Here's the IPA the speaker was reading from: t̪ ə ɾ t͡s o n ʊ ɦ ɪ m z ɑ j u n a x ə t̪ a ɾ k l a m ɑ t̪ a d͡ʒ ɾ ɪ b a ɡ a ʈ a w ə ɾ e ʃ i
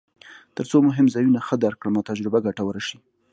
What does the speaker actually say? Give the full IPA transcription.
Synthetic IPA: t̪ ə ɾ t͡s o m ʊ ɦ ɪ m z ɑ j u n a x ə d̪ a ɾ k ɽ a m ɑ t̪ a d͡ʒ ɾ ɪ b a ɡ a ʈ a w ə ɾ a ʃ i

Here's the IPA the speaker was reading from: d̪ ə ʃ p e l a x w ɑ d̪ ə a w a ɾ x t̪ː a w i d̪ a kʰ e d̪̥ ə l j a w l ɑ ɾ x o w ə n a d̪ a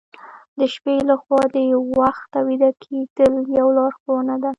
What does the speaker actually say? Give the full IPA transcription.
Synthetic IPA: d̪ ə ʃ p e l a x w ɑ d̪ ə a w a x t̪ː a w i d̪ a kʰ e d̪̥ ə l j a w l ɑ ɾ x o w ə n a d̪ a

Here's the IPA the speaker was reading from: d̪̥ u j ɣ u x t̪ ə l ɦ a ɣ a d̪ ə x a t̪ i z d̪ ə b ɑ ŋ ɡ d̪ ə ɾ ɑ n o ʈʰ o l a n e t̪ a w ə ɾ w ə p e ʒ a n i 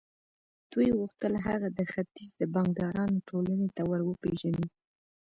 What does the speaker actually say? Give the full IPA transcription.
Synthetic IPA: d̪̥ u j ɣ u x t̪ ə l ɦ a ɣ a d̪ ə x a t̪ i z d̪ ə b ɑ ŋ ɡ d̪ ɑ ɾ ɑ n o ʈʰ o l a n e t̪ a w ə ɾ w ə p e ʒ a n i

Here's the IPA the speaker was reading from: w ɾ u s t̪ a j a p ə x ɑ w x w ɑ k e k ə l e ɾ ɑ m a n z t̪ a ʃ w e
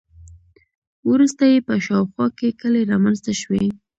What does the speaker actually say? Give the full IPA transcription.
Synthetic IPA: w ɾ u s t̪ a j e p ə ʃ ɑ w x w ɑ k e k ə l e ɾ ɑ m a n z t̪ a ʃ w e

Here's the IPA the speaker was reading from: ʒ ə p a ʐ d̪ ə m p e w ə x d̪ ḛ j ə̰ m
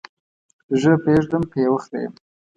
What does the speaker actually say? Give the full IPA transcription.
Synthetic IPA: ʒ ə p e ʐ d̪ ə m p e w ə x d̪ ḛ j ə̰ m

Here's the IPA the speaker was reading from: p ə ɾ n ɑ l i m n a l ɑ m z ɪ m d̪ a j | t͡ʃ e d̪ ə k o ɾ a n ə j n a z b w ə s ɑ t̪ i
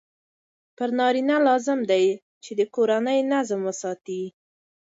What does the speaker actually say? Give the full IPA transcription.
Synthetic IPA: p ə ɾ n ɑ ɾ i n a l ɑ z ɪ m d̪ a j | t͡ʃ e d̪ ə k o ɾ a n ə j n a z m w ə s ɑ t̪ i

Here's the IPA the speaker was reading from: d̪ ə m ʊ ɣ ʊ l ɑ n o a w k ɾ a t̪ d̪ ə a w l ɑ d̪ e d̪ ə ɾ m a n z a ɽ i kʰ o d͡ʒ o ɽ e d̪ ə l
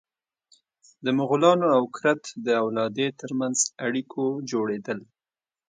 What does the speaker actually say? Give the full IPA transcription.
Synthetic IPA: d̪ ə m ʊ ɣ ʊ l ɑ n o a w k ɾ a t̪ d̪ ə a w l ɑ d̪ e t̪ ə ɾ m a n z a ɽ i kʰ o d͡ʒ o ɽ e d̪ ə l

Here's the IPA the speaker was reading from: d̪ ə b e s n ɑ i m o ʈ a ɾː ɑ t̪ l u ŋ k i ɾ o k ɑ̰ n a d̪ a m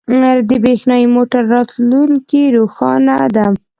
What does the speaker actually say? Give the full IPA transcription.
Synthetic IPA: d̪ ə b e x n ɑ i m o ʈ a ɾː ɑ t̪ l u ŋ k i ɾ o x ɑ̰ n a d̪ a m

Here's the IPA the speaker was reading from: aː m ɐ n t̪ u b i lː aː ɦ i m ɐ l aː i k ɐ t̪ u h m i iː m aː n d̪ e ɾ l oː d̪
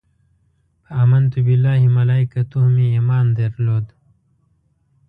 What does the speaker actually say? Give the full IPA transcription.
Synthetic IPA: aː m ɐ n t̪ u b i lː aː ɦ i m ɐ l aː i k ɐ t̪ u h m i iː m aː n d̪ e ɾ l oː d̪

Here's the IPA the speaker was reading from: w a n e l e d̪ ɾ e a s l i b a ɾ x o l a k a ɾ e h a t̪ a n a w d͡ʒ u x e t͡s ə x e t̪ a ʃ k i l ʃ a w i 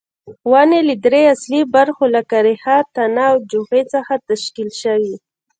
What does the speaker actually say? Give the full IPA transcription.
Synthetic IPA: w a n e l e d̪ ɾ e a s l i b a ɾ x o l a k a ɾ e h a t̪ a n a w d͡ʒ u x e t͡s ə x a t̪ a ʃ k i l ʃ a w i

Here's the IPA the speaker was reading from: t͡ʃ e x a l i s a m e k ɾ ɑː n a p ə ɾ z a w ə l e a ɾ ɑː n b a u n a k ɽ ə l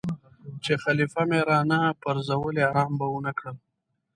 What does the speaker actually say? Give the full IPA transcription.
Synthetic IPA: t͡ʃ e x a l i f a m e ɾ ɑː n a p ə ɾ z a w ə l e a ɾ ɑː m b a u n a k ɽ ə l

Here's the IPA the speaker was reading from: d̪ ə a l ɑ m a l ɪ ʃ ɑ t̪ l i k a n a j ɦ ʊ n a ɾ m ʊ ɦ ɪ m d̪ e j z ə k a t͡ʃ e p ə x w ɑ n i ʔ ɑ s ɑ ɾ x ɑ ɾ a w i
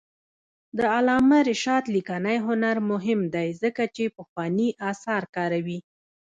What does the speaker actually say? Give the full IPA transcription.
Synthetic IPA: d̪ ə a l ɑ m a ɾ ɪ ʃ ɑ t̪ l i k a n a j ɦ ʊ n a ɾ m ʊ ɦ ɪ m d̪ a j z ə k a t͡ʃ e p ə x w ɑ n i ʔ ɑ s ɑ ɾ k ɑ ɾ a w i

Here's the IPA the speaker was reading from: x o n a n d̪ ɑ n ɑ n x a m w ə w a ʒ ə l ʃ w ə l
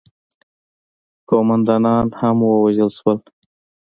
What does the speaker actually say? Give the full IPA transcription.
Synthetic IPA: k o m a n d̪ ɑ n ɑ n h a m w ə w a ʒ ə l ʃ w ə l

